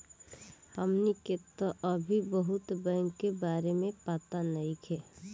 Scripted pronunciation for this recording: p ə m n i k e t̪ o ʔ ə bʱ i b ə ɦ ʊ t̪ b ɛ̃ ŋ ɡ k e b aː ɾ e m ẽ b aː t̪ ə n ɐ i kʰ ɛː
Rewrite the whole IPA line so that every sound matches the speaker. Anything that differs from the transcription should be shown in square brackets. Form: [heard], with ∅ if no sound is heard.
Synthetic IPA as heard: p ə m n i k e t̪ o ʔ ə bʱ i b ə ɦ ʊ t̪ b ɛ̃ ŋ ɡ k e b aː ɾ e m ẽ [p] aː t̪ [a] n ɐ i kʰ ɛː